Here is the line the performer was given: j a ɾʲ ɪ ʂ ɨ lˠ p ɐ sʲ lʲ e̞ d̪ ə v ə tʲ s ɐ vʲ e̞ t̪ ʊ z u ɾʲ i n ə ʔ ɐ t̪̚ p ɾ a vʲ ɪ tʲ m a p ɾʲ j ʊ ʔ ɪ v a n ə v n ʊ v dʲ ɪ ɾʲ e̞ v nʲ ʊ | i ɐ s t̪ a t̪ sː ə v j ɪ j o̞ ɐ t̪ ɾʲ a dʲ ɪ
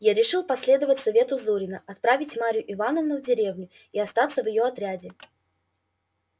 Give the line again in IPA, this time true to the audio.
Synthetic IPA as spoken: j a ɾʲ ɪ ʂ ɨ lˠ p ɐ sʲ lʲ e̞ d̪ ə v ə tʲ s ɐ vʲ e̞ t̪ ʊ z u ɾʲ ɪ n ə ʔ ɐ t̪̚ p ɾ a vʲ ɪ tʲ m a ɾʲ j ʊ ʔ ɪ v a n ə v n ʊ v dʲ ɪ ɾʲ e̞ v nʲ ʊ | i ɐ s t̪ a t̪ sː ə v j ɪ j o̞ ɐ t̪ ɾʲ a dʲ ɪ